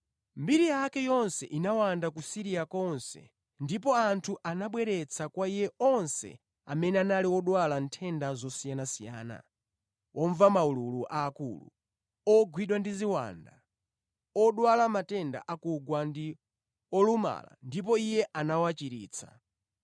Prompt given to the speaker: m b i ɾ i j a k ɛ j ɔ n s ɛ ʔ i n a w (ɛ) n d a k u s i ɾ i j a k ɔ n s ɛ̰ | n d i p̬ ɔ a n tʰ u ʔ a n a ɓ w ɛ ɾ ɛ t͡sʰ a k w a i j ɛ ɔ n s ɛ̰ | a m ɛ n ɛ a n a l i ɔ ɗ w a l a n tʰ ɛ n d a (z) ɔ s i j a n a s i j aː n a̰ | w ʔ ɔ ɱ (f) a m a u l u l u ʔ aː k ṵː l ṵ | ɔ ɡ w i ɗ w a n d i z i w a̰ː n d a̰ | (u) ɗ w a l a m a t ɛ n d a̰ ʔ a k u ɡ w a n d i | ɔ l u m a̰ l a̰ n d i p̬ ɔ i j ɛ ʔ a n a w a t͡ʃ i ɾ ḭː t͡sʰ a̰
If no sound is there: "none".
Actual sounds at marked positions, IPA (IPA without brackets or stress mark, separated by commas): a, z, v, ɔ